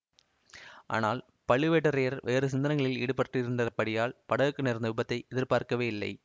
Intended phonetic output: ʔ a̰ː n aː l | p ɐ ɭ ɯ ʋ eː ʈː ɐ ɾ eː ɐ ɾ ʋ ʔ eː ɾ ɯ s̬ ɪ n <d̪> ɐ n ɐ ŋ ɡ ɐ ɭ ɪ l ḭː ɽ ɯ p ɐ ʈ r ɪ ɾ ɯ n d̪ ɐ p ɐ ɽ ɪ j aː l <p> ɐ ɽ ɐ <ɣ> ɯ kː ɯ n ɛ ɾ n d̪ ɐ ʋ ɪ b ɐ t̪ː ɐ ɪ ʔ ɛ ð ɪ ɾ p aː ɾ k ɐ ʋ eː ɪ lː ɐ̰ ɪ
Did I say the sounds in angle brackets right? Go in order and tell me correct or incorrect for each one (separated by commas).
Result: correct, correct, correct